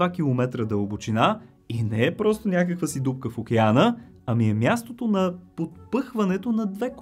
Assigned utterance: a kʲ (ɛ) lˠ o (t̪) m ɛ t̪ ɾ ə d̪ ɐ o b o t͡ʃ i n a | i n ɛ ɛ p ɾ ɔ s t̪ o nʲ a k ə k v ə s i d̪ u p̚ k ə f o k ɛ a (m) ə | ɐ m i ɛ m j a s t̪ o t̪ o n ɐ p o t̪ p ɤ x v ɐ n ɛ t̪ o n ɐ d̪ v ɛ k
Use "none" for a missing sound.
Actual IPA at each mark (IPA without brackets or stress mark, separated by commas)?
i, none, n